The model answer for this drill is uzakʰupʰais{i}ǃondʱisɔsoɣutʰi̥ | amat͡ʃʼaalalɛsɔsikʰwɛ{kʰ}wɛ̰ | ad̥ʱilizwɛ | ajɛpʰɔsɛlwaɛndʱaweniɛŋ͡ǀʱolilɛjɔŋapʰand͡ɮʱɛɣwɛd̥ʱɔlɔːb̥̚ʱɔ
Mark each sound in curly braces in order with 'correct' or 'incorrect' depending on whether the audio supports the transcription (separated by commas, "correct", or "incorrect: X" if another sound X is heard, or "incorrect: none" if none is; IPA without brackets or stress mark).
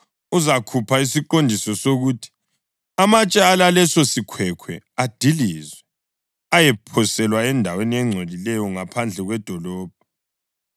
correct, correct